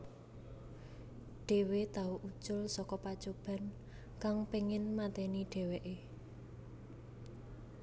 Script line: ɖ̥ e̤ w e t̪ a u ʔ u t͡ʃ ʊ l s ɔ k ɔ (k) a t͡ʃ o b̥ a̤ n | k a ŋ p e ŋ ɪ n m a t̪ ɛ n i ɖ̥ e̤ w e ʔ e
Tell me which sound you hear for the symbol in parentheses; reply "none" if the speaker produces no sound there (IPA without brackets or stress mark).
p